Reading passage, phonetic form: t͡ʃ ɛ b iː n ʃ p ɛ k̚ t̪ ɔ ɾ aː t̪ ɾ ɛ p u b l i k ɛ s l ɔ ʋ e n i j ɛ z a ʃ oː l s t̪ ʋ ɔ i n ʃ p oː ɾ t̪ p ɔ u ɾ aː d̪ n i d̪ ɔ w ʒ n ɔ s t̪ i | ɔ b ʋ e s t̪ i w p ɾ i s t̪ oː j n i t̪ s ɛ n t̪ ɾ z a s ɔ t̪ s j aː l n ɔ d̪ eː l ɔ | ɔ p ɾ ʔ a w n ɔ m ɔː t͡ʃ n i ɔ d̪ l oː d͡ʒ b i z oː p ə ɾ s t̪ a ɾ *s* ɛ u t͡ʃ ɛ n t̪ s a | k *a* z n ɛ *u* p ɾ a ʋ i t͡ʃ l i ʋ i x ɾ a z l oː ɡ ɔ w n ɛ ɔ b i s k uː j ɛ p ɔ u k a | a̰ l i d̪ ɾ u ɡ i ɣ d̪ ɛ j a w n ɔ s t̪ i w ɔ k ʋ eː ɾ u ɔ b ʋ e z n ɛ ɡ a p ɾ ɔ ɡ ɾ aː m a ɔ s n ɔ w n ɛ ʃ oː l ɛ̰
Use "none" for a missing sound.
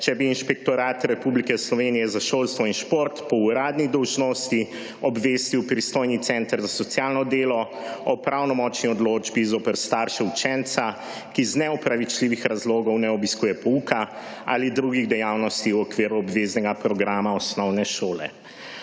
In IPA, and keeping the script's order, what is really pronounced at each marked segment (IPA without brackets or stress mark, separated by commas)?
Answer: ʃ, i, ɔ